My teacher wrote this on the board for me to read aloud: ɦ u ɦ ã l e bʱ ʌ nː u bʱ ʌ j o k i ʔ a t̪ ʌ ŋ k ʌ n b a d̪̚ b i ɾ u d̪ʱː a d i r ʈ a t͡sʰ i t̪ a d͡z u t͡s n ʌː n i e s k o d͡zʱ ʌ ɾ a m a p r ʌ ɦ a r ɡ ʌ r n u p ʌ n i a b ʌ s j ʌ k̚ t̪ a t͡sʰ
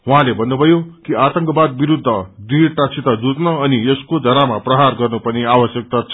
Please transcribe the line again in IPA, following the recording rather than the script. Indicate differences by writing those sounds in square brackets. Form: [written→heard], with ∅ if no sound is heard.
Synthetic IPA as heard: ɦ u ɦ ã l e bʱ ʌ nː u bʱ ʌ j o k i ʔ a t̪ ʌ ŋ k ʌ [n→∅] b a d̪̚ b i ɾ u d̪ʱː [a→ʌ] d i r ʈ a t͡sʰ i t̪ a d͡z u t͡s n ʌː n i e s k o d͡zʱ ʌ ɾ a m a p r ʌ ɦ a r ɡ ʌ r n u p ʌ n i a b ʌ s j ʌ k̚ t̪ a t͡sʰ